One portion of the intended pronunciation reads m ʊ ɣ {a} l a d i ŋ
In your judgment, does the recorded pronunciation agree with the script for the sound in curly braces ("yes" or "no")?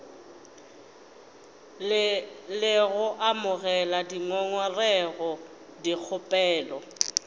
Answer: no